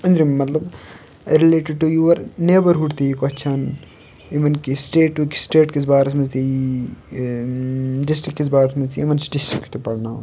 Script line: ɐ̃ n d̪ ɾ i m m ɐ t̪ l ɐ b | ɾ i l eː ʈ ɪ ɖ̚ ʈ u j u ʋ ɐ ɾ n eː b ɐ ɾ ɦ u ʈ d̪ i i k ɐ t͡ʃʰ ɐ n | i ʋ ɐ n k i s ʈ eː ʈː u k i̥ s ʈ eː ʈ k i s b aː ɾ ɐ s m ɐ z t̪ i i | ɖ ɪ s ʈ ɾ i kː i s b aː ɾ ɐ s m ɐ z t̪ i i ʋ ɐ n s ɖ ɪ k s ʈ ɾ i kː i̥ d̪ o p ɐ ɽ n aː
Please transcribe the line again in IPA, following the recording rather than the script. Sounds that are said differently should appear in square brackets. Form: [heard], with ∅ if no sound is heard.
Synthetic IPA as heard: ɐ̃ n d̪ ɾ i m m ɐ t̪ l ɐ b | ɾ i l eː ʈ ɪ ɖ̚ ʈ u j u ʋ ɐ ɾ n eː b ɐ ɾ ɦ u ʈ [t̪] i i k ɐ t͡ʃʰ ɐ n | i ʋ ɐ n k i s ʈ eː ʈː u k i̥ s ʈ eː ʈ k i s b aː ɾ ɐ s m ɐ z t̪ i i | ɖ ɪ s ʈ ɾ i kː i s b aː ɾ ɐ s m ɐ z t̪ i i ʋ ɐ n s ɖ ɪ [∅] s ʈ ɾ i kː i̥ [t̪] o p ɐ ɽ n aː